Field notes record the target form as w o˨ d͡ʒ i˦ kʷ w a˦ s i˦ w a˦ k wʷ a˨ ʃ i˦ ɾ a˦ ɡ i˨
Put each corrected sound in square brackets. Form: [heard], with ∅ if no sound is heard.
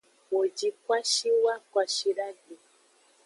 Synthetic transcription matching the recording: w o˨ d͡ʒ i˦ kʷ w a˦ [ʃ] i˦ w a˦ k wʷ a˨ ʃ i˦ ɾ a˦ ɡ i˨